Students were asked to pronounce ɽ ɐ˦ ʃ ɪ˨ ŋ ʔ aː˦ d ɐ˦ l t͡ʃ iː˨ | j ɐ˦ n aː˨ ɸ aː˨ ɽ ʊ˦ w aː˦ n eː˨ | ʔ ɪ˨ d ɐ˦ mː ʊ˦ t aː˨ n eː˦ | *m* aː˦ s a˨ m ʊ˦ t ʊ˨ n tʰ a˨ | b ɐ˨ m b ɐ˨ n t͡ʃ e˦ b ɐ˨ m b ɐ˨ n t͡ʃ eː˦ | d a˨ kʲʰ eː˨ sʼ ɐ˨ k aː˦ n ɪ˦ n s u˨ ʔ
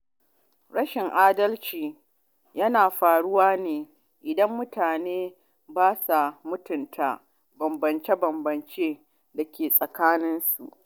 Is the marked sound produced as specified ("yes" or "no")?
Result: no